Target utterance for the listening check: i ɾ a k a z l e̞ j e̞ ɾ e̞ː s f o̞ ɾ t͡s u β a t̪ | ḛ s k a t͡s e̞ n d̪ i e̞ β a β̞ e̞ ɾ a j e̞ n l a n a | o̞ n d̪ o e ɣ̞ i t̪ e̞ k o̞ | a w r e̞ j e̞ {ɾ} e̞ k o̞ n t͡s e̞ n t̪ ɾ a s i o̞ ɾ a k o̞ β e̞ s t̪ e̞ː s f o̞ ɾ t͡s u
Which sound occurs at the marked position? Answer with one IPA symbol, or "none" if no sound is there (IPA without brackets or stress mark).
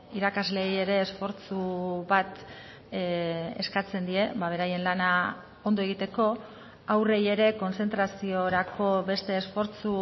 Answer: ɾ